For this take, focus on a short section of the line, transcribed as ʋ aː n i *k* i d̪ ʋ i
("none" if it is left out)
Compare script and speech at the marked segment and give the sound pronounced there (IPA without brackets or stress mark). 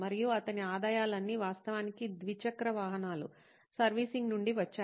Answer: k